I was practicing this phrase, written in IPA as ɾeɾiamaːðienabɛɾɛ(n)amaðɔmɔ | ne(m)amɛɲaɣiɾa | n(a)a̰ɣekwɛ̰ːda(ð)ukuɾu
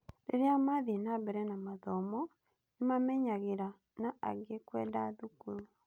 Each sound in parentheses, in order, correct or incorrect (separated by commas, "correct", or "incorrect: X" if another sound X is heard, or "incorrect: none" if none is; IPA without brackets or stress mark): correct, correct, correct, correct